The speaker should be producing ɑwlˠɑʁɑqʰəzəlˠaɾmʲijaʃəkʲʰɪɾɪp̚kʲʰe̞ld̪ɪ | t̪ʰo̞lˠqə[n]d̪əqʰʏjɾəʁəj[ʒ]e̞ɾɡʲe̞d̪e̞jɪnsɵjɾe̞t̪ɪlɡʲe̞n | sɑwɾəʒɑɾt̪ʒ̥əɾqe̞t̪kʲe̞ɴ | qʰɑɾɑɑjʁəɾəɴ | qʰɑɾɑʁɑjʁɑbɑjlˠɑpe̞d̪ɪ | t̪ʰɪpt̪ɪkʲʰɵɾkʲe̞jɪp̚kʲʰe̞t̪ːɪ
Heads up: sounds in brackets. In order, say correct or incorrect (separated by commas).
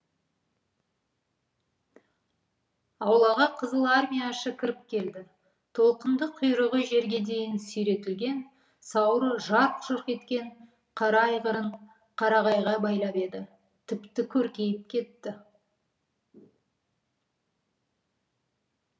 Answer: correct, correct